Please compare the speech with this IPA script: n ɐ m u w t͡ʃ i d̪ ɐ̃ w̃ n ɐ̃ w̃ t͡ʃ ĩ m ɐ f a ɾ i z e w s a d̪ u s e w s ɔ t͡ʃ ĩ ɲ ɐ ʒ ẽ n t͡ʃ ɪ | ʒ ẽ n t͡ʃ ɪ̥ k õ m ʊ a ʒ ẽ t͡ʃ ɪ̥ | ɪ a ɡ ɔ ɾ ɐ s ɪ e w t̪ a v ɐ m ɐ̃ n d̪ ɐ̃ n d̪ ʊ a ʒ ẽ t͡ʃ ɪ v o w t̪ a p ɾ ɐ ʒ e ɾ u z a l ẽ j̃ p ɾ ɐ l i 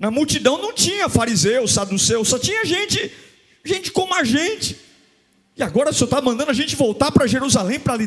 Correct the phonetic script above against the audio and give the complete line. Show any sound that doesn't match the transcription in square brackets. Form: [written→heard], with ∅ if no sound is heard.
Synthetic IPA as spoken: n ɐ m u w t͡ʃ i d̪ ɐ̃ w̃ n ɐ̃ w̃ t͡ʃ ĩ [m→ɲ] ɐ f a ɾ i z e w s a d̪ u s e w s ɔ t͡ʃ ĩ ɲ ɐ ʒ ẽ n t͡ʃ ɪ | ʒ ẽ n t͡ʃ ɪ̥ k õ m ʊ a ʒ ẽ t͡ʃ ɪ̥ | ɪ a ɡ ɔ ɾ ɐ s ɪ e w t̪ a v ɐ m ɐ̃ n d̪ ɐ̃ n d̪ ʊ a ʒ ẽ t͡ʃ ɪ v o w t̪ a p ɾ ɐ ʒ e ɾ u z a l ẽ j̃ p ɾ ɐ l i